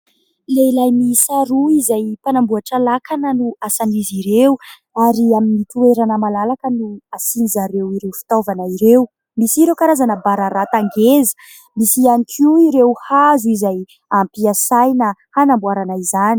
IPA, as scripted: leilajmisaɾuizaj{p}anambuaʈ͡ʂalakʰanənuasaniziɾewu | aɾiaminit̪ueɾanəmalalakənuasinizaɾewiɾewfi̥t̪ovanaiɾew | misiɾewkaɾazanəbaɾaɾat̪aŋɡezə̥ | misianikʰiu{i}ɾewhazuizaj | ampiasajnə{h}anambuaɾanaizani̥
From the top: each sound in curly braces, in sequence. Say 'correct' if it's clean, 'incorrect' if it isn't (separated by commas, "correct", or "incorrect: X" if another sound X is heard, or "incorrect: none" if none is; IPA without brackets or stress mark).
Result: correct, correct, correct